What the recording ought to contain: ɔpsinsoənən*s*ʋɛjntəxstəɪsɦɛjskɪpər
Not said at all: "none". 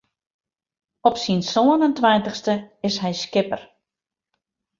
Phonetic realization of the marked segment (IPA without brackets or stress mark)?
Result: t